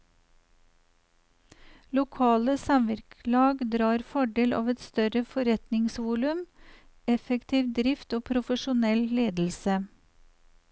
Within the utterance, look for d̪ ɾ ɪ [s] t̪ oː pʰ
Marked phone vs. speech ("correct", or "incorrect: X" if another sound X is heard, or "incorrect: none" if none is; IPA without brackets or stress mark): incorrect: f